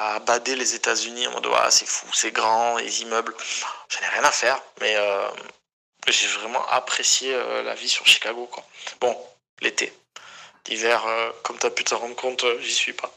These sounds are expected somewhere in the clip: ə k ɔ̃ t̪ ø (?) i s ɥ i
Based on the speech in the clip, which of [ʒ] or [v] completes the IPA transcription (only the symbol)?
ʒ